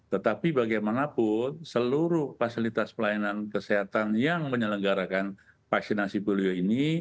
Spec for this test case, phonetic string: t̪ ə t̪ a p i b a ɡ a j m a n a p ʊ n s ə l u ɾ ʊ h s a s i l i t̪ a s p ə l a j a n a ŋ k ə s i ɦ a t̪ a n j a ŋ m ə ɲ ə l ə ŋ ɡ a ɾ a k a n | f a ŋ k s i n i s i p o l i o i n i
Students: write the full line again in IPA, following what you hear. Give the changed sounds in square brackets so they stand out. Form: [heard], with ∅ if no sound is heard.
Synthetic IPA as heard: t̪ ə t̪ a p i b a ɡ a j m a n a p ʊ n s ə l u ɾ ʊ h [f] a s i l i t̪ a s p ə l a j a n a [n] k ə s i ɦ a t̪ a n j a ŋ m ə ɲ ə l ə ŋ ɡ a ɾ a k a n | f a [∅] k s i n [a] s i p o l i o i n i